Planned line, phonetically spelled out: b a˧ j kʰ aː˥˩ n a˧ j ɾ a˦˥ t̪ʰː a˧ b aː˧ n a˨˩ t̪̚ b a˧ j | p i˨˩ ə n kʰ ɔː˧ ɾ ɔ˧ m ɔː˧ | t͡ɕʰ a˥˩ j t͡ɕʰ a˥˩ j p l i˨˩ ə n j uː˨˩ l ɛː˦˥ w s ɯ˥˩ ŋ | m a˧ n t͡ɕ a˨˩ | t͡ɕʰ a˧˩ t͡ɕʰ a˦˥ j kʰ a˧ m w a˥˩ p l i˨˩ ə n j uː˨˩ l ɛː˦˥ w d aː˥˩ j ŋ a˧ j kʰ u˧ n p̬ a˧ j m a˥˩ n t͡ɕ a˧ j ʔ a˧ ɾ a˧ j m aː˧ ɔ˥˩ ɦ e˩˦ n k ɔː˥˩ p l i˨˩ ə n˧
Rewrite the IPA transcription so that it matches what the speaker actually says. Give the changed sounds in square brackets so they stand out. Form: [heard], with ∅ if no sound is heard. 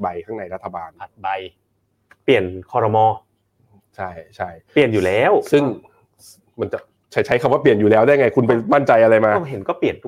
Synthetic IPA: b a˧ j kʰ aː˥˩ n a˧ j ɾ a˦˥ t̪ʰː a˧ b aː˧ n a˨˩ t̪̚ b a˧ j | p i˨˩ ə n kʰ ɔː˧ ɾ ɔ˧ m ɔː˧ | t͡ɕʰ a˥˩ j t͡ɕʰ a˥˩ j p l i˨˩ ə n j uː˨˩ l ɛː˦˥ w s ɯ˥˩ ŋ | m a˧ n t͡ɕ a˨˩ | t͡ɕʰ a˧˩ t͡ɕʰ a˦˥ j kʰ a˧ m w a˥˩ p l i˨˩ ə n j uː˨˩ l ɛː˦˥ w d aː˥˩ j ŋ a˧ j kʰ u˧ n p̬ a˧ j m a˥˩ n t͡ɕ a˧ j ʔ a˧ ɾ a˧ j m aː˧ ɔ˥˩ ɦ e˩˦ n k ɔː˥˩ p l i˨˩ ə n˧